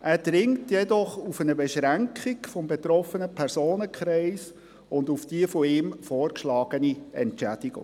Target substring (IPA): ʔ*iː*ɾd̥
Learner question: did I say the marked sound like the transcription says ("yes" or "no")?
no